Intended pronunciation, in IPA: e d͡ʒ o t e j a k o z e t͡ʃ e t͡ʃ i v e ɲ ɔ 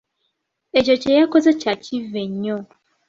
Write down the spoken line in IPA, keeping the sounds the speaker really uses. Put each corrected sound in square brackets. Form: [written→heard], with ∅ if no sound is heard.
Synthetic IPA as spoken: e d͡ʒ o [t→t͡ʃ] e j a k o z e t͡ʃ [e→a] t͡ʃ i v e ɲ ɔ